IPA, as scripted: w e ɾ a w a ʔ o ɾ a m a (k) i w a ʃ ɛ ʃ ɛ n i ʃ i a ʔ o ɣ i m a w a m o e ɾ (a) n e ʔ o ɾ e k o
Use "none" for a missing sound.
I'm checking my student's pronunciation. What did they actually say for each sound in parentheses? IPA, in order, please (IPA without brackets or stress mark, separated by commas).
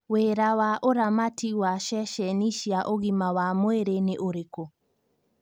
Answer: t, e